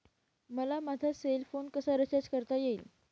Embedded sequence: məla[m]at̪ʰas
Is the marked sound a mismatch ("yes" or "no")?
no